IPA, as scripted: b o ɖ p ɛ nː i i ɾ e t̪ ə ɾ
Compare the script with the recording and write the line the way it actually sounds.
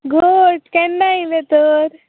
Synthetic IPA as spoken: ɡ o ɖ k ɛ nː a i l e t̪ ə ɾ